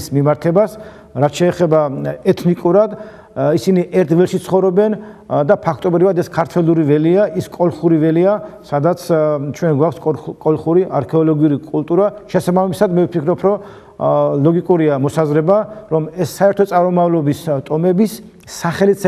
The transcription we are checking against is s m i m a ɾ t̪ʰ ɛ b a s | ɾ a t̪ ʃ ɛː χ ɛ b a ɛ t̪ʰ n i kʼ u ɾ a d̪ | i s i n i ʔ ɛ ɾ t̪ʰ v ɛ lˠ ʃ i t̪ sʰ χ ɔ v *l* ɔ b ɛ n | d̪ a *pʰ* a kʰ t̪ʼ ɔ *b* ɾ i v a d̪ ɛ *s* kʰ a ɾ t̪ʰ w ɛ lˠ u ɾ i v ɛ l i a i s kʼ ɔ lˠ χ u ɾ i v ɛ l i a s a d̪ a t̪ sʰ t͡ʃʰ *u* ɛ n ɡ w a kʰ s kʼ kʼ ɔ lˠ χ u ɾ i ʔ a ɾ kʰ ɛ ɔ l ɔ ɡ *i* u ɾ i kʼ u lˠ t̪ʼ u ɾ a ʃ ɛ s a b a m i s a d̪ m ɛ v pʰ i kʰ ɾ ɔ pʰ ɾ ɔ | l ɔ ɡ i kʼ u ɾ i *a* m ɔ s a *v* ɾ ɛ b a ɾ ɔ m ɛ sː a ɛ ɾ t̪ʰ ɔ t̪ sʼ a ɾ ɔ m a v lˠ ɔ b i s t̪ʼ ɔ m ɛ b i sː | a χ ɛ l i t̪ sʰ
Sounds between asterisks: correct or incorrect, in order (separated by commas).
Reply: incorrect, correct, correct, correct, incorrect, correct, correct, incorrect